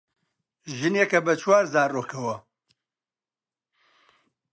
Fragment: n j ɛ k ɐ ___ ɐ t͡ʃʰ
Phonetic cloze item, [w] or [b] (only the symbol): b